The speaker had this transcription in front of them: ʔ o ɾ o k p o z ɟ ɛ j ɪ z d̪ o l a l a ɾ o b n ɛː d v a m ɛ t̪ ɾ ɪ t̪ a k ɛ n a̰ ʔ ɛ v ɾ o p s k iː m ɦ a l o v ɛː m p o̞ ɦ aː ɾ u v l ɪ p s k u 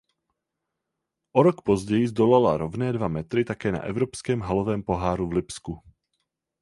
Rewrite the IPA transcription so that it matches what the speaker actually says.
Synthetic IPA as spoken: ʔ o ɾ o k p o z ɟ ɛ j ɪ z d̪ o l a l a ɾ o v n ɛː d v a m ɛ t̪ ɾ ɪ t̪ a k ɛː n a̰ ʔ ɛ v ɾ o p s k ɛː m ɦ a l o v ɛː m p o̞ ɦ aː ɾ u v l ɪ p s k u